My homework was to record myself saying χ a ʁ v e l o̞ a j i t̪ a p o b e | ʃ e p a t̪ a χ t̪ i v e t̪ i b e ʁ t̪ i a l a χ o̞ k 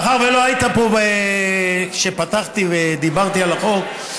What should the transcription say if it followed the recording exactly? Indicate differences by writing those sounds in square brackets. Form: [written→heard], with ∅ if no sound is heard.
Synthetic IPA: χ a ʁ v e l o̞ a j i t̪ a p o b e | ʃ e p a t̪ a χ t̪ i v e [t̪→d̪] i b [e→a] ʁ t̪ i a l a χ o̞ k